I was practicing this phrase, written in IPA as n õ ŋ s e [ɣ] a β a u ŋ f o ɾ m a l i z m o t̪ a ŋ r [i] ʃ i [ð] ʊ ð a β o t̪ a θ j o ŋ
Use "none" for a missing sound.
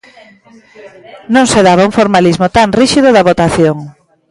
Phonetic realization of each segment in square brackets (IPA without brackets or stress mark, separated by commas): ð, i, ð